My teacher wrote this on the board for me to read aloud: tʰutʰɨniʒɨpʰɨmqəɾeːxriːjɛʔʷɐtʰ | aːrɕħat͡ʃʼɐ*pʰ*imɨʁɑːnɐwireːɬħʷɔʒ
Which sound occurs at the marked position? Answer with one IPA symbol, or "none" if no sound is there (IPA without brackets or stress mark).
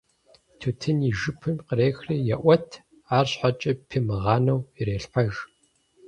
pʰ